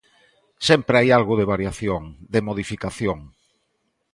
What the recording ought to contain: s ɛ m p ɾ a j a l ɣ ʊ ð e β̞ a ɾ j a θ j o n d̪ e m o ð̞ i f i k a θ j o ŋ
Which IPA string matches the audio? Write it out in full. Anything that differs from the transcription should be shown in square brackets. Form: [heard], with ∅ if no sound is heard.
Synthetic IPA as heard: s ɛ m p ɾ a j a l ɣ ʊ ð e β̞ a ɾ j a θ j o [ŋ] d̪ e m o ð̞ i f i k a θ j o ŋ